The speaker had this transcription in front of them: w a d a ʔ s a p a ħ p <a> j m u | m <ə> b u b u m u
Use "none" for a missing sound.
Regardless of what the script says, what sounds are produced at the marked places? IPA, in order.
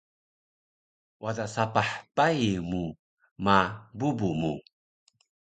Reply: a, a

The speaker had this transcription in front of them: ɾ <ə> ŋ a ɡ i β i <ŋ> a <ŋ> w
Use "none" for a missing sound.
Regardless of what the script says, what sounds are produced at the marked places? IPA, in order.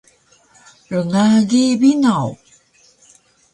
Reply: ə, n, none

